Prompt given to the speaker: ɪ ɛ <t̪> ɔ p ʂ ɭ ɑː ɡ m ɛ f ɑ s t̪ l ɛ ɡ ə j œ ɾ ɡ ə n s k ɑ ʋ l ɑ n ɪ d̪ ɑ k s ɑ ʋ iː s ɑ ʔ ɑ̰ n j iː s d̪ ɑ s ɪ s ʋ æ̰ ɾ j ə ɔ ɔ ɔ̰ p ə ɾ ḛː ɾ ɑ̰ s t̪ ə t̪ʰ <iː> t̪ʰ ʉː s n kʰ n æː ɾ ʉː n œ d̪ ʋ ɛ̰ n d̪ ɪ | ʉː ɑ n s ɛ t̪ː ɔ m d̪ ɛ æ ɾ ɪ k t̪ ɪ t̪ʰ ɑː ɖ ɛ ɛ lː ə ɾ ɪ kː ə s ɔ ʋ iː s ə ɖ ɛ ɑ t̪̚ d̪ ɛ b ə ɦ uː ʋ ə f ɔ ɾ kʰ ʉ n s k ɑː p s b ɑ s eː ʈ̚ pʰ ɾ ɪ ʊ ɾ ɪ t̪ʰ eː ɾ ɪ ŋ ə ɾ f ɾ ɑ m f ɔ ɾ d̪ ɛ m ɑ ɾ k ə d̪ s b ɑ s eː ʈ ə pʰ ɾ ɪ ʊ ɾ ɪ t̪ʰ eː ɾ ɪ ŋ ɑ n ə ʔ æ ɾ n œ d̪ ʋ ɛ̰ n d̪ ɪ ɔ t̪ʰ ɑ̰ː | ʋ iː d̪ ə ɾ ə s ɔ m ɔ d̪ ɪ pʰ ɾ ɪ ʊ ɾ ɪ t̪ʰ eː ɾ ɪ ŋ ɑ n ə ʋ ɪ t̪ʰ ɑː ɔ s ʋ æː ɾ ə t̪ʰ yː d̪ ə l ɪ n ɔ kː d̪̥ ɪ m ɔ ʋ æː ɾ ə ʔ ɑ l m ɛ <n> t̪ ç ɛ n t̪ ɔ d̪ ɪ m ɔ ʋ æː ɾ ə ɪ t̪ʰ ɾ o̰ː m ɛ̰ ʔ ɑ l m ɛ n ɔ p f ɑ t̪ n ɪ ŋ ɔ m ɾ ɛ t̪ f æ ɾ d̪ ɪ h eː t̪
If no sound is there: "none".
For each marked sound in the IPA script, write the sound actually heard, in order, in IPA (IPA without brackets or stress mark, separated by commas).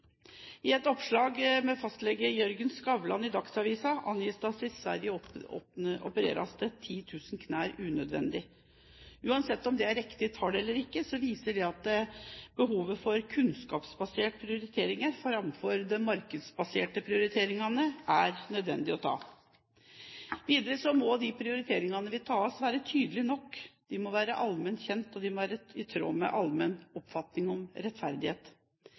t̪, iː, n